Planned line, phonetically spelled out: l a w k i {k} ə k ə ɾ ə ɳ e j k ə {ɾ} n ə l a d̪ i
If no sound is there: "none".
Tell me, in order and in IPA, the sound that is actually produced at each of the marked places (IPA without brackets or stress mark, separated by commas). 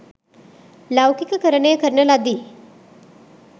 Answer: k, ɾ